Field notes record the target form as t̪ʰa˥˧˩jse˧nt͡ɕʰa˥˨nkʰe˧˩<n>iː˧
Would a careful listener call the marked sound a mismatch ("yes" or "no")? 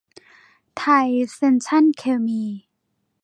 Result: yes